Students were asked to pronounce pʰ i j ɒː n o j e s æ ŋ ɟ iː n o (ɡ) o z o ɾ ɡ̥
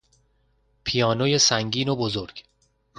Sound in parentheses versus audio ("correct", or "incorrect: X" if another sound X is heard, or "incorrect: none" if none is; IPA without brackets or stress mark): incorrect: b